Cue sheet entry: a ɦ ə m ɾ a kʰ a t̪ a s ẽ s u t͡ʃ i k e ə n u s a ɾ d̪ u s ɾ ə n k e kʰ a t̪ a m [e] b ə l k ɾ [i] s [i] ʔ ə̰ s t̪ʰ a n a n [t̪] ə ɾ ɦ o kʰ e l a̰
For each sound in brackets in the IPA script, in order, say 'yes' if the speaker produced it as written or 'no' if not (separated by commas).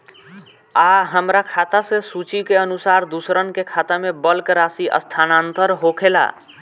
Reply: yes, no, yes, yes